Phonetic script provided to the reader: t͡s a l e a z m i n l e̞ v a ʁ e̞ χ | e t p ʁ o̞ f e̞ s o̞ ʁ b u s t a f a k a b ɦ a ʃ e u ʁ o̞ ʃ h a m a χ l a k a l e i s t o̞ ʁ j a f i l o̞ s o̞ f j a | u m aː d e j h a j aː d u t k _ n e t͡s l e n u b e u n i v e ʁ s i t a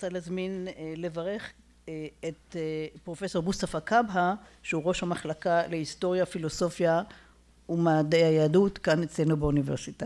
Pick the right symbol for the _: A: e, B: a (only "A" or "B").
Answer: B